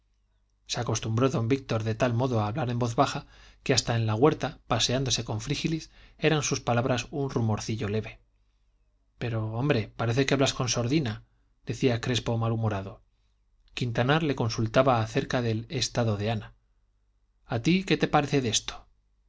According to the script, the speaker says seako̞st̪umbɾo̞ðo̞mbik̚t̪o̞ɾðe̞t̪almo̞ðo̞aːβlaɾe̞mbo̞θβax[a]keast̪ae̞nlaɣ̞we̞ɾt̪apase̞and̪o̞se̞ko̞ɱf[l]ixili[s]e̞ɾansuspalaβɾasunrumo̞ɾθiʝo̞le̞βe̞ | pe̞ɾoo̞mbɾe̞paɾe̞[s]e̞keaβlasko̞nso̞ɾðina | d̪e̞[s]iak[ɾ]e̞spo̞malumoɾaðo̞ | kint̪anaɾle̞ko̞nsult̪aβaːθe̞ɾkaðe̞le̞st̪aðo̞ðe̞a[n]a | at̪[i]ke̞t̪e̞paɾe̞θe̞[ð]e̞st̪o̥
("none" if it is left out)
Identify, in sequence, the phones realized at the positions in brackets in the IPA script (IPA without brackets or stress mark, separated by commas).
a, ɾ, s, θ, θ, ɾ, n, i, ð